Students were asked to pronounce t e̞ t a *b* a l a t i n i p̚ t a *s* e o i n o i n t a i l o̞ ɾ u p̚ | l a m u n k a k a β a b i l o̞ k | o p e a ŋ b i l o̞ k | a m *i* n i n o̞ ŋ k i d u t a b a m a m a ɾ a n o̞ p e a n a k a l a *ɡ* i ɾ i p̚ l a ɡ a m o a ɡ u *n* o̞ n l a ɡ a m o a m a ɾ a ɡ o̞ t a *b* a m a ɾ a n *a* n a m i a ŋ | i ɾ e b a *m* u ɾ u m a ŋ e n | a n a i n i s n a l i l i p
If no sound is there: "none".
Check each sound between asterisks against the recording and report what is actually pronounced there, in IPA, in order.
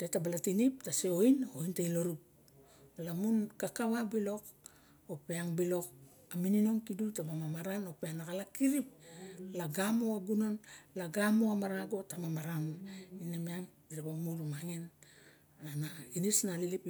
b, s, i, k, n, m, i, m

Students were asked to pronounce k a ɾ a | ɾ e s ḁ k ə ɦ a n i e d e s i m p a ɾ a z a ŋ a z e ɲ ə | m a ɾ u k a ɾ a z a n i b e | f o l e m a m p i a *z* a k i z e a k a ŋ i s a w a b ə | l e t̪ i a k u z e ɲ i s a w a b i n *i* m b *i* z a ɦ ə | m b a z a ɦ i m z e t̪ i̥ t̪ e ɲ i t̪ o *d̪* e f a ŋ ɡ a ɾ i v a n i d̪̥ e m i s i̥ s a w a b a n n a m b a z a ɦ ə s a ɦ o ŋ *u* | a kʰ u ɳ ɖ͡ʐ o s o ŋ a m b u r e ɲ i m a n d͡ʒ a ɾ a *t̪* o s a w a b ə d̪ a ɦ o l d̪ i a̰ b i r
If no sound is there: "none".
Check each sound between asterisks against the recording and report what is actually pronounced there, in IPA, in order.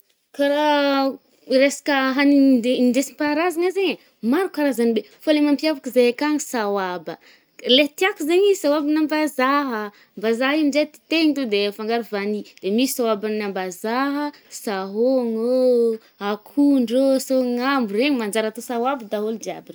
v, a, a, d̪, o, t̪

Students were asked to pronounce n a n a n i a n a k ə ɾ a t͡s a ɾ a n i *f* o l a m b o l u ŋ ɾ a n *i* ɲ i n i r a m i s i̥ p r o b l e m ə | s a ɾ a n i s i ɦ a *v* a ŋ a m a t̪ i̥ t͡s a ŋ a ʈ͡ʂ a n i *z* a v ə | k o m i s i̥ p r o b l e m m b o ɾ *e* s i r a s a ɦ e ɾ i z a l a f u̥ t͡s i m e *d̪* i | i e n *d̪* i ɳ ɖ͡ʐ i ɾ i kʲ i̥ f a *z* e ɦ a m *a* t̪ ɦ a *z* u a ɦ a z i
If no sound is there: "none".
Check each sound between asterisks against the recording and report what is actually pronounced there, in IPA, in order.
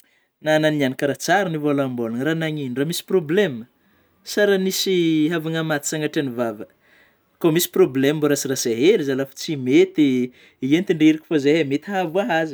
v, a, v, v, a, t̪, t̪, z, e, v

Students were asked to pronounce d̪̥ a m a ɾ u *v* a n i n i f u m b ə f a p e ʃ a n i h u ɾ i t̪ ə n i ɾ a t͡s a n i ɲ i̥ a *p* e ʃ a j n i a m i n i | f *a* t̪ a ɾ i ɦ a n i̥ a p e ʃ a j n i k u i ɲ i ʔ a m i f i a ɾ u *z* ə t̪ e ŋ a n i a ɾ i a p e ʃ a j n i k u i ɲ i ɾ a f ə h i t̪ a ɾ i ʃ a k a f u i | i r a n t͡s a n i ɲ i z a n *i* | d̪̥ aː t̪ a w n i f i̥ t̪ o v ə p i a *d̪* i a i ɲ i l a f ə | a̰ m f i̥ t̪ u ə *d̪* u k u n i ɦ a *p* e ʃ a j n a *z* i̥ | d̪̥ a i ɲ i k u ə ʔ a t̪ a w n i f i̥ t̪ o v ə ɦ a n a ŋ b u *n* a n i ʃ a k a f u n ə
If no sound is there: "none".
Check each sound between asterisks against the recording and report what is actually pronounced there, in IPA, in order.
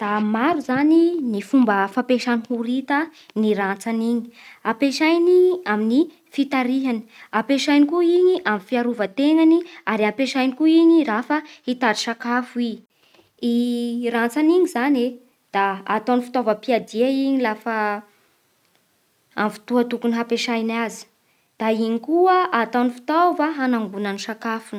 z, p, i, v, e, d̪, t̪, p, z, n

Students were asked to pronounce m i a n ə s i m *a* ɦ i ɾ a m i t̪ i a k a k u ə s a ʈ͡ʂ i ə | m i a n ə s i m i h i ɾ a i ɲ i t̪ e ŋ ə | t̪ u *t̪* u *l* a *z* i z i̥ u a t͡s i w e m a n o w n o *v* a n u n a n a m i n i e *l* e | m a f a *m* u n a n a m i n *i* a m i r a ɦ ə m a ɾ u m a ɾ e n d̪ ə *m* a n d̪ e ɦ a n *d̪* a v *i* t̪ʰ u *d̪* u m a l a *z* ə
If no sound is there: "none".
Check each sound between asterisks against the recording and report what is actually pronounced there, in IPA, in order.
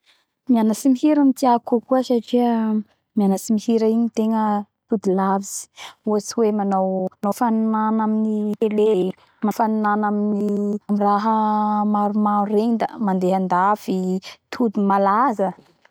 i, d̪, l, v, f, l, n, i, m, d̪, i, d̪, z

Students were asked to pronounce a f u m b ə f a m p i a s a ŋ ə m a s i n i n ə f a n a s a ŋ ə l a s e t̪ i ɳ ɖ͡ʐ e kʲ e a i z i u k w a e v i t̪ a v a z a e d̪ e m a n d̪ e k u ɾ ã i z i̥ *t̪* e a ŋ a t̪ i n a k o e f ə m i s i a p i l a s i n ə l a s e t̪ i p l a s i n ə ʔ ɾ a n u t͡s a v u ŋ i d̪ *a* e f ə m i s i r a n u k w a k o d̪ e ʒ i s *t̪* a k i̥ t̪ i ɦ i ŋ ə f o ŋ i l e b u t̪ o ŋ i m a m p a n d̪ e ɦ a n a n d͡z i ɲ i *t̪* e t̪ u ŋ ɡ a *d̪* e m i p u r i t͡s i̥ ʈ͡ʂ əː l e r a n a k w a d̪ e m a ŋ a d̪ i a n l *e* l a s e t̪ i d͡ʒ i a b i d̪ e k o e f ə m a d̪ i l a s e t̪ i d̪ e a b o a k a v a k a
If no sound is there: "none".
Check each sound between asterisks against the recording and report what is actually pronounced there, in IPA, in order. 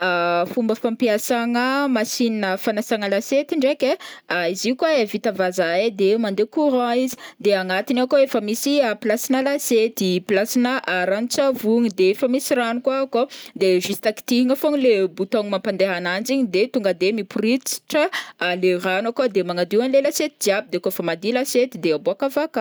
d̪, e, t̪, d̪, d̪, e

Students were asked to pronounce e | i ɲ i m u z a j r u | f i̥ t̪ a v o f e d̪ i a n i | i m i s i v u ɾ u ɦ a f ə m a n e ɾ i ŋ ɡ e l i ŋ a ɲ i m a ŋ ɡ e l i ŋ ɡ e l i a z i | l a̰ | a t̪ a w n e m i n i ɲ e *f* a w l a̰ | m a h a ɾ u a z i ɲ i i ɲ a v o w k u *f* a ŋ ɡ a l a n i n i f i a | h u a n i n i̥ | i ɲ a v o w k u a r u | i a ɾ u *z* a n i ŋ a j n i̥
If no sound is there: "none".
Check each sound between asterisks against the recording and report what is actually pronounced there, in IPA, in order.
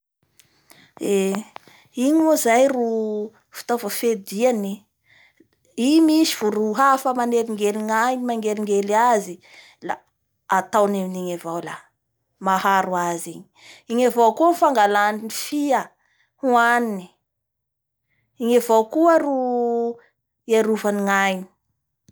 v, f, v

